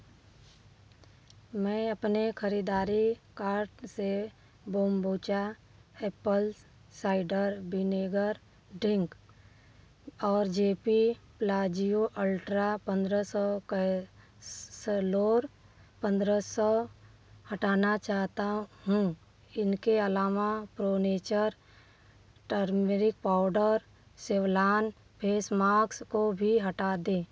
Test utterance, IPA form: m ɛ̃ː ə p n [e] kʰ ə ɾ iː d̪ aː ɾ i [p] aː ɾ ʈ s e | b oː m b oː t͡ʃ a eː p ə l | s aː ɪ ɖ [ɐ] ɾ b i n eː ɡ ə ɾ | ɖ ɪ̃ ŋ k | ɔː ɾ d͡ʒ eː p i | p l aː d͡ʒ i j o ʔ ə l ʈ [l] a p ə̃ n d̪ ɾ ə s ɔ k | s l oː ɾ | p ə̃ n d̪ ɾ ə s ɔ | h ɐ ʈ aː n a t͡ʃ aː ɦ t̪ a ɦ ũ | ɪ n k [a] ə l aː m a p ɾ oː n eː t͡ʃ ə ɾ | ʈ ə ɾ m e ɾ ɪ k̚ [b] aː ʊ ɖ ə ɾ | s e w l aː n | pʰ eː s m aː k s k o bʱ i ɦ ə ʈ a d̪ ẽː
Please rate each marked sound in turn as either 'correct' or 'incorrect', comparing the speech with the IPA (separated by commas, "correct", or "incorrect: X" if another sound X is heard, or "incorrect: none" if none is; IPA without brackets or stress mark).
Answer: correct, incorrect: k, incorrect: ə, incorrect: ɾ, incorrect: e, incorrect: p